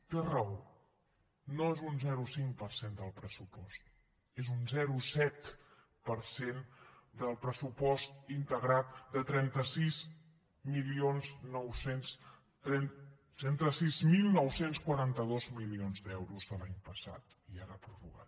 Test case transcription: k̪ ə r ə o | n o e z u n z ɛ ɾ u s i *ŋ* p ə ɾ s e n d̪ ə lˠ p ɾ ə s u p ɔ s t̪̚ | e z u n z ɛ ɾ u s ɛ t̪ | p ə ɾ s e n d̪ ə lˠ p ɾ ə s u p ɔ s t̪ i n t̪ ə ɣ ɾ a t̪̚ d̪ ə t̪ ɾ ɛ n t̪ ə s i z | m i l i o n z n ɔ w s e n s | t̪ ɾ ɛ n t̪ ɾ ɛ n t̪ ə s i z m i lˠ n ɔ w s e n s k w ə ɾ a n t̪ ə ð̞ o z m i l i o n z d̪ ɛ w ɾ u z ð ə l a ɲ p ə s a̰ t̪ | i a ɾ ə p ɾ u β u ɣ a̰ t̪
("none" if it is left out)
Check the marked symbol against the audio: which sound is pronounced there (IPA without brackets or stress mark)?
ŋ